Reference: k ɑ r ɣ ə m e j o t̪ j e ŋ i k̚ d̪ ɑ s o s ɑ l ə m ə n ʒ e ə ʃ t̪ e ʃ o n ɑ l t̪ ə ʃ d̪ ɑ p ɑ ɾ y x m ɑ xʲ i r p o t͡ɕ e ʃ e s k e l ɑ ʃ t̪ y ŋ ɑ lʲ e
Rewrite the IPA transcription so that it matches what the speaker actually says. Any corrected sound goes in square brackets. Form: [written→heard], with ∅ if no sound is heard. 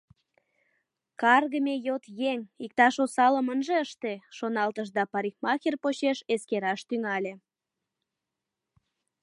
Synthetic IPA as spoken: k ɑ r ɣ ə m e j o t̪ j e ŋ i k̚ [d̪→t̪] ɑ [s→ʃ] o s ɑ l ə m ə n ʒ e ə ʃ t̪ e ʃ o n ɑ l t̪ ə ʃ d̪ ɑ p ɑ ɾ [y→i] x m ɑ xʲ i r p o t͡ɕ e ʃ e s k e [l→ɾ] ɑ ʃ t̪ y ŋ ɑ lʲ e